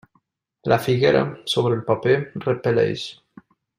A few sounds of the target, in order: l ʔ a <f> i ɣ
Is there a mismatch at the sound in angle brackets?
no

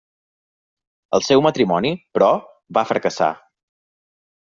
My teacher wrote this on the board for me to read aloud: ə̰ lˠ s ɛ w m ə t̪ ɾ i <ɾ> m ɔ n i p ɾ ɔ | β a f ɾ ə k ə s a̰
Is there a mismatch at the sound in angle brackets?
yes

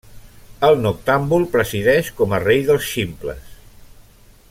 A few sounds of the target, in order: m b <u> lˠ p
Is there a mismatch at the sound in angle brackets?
no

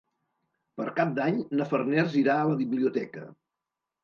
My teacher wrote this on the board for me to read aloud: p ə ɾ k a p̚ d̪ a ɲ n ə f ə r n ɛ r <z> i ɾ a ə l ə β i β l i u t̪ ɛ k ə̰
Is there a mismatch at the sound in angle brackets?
no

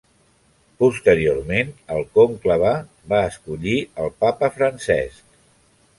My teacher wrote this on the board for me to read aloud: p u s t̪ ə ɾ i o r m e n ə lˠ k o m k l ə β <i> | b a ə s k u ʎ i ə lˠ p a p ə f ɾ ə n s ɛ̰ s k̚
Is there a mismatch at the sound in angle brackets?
yes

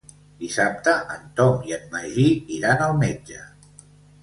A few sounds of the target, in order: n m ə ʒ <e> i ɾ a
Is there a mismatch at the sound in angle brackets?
yes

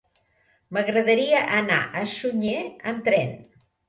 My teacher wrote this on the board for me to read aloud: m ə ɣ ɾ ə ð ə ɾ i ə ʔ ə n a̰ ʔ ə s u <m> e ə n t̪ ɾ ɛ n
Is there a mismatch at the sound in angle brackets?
yes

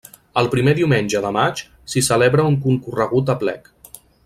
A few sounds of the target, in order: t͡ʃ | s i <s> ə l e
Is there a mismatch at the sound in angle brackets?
no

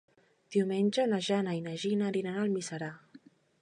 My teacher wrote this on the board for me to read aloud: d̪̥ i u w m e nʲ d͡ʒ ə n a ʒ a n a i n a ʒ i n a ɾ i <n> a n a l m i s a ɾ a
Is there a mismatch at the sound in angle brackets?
no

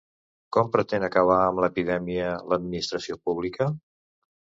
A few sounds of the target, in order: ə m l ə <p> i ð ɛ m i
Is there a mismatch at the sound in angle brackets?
no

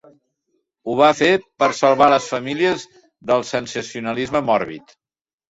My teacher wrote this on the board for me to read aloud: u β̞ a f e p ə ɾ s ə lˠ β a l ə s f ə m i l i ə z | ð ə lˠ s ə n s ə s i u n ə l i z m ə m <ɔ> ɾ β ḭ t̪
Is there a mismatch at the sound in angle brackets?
no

